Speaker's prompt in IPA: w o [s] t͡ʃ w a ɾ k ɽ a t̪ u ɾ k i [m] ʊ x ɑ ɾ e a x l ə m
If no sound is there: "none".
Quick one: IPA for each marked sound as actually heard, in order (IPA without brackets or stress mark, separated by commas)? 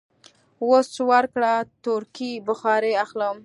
s, b